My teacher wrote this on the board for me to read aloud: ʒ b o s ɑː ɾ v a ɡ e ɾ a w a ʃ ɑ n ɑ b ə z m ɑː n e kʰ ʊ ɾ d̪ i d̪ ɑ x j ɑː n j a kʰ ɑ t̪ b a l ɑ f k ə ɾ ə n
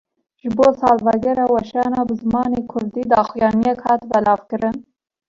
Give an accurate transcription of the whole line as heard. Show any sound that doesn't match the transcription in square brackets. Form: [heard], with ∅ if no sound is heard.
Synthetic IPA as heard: ʒ b o s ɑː [l] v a ɡ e ɾ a w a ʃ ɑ n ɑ b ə z m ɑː n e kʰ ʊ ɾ d̪ i d̪ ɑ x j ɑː n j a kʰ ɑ t̪ b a l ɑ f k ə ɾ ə n